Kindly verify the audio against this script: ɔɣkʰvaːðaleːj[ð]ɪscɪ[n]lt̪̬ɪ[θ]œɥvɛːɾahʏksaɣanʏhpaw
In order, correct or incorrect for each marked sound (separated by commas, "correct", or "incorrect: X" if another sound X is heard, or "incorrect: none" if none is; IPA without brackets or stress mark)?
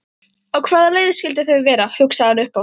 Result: correct, incorrect: none, correct